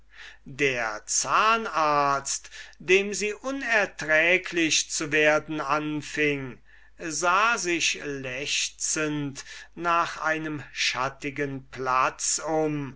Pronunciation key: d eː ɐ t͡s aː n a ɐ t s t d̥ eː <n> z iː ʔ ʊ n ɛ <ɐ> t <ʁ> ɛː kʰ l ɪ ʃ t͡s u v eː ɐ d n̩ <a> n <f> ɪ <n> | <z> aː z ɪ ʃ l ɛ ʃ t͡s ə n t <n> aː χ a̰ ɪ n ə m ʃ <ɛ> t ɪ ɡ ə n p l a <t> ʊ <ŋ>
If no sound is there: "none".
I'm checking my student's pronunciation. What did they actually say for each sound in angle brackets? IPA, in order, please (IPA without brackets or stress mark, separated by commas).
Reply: m, ɐ, ʁ, a, f, ŋ, z, n, a, t͡s, m